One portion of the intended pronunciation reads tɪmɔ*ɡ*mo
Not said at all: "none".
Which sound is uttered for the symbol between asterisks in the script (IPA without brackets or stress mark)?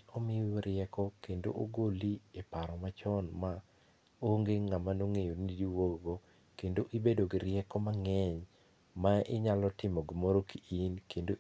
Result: ɡ